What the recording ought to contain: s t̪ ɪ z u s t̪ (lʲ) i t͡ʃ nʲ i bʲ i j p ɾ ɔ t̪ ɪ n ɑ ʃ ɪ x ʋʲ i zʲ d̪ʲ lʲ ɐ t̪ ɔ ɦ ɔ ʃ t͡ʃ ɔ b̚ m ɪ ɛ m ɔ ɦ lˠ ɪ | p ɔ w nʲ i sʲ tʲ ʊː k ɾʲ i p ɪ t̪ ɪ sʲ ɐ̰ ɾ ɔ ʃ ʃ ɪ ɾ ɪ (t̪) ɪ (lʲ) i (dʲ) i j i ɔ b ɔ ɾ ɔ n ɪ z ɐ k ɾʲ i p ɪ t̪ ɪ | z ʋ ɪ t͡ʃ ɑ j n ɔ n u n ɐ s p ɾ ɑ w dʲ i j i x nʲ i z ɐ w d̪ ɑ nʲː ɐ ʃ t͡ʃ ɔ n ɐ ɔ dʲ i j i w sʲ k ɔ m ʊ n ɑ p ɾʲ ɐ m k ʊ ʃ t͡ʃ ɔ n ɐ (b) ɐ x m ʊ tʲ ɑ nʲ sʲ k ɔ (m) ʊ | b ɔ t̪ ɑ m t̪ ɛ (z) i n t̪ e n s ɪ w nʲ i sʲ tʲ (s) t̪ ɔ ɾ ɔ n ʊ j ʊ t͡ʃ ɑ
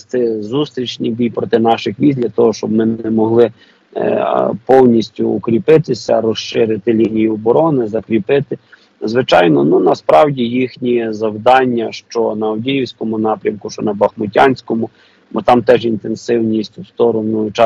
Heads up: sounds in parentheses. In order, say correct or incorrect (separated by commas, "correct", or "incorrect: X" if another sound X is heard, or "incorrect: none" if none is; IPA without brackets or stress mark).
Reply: incorrect: ɾʲ, correct, correct, incorrect: nʲ, correct, correct, incorrect: ʒ, correct